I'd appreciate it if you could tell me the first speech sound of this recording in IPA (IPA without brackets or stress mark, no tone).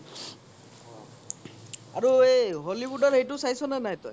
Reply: a